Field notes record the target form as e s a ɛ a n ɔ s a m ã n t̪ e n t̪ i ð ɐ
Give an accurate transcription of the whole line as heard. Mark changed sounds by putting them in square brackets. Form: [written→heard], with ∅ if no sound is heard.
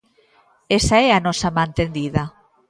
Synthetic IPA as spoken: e s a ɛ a n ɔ s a m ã n t̪ e n [t̪→d̪] i ð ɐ